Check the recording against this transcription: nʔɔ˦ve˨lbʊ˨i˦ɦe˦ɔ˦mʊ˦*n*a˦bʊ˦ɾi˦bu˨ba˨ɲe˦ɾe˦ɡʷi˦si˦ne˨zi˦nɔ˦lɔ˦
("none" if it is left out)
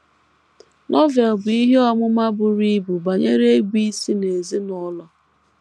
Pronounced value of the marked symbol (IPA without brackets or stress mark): m